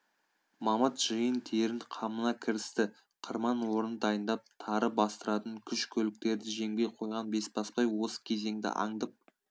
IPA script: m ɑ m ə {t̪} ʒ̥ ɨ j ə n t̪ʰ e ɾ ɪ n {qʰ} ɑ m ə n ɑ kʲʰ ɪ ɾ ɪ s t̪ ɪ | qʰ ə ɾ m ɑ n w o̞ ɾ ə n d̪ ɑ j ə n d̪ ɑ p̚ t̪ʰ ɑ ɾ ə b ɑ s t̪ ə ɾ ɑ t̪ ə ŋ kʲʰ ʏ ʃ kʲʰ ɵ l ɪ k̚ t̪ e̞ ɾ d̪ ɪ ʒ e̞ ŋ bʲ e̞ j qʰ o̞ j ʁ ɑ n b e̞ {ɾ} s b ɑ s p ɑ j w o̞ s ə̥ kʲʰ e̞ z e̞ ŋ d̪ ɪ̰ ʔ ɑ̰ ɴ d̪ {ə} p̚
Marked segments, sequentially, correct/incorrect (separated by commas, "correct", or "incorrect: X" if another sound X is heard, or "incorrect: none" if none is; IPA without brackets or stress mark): correct, correct, incorrect: none, correct